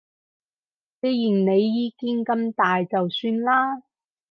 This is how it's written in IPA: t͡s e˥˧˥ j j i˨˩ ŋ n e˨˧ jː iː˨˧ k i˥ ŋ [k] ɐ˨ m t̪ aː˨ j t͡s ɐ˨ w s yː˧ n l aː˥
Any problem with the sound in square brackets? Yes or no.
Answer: no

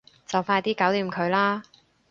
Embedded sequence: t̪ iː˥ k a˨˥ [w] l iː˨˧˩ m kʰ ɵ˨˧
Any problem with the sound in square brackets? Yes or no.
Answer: no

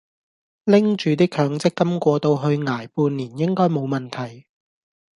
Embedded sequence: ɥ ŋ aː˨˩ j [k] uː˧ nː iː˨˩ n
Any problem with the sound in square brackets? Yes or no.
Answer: yes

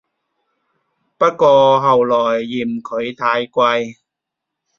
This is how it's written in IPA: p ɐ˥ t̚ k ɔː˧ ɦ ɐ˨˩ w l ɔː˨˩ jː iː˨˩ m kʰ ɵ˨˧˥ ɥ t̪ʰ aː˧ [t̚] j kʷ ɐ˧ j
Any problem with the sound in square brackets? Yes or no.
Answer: yes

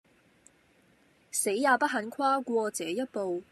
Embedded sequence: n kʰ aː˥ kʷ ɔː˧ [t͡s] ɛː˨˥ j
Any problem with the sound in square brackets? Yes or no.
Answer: no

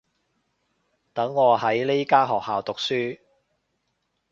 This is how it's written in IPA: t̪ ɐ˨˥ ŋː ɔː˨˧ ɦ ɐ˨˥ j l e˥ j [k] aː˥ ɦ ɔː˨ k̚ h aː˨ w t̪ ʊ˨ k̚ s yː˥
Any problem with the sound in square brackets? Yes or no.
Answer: no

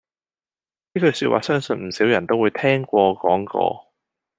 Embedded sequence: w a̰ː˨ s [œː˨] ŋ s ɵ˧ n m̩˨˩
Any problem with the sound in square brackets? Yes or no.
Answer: yes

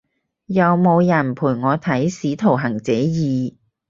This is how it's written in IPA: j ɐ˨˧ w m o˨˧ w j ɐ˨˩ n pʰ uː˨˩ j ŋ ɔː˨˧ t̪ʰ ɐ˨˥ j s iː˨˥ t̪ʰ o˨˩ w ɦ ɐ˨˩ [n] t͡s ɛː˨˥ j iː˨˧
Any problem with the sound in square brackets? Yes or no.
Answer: yes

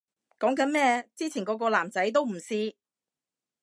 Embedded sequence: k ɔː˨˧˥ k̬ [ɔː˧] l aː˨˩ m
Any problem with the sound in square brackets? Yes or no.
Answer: no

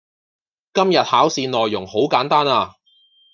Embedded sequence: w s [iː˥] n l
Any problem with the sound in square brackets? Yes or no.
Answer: yes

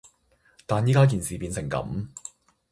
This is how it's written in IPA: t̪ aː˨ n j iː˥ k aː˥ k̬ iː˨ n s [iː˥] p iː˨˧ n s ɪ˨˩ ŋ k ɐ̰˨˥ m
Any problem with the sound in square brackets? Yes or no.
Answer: yes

